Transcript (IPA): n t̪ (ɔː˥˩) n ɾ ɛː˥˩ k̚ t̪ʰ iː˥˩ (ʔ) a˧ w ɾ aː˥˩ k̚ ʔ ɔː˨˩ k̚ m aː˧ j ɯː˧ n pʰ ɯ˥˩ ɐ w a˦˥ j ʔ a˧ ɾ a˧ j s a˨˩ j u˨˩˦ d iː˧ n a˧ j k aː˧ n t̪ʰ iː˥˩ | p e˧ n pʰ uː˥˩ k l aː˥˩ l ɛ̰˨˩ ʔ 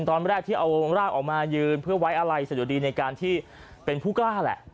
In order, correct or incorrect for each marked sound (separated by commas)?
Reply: incorrect, correct